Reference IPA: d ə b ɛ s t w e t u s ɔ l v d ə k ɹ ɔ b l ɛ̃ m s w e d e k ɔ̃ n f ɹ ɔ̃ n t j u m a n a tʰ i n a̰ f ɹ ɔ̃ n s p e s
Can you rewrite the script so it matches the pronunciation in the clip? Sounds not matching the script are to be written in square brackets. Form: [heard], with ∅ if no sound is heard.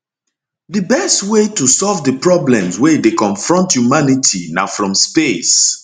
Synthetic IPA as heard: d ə b ɛ s t w e t u s ɔ l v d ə [p] ɹ ɔ b l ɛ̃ m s w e d e k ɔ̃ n f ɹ ɔ̃ n t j u m a n [i] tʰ i n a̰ f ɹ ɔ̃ [m] s p e s